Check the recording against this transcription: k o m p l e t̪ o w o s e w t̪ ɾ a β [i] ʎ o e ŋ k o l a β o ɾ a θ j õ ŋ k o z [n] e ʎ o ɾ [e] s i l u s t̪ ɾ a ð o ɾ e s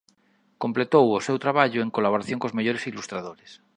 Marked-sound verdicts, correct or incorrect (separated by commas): incorrect, incorrect, correct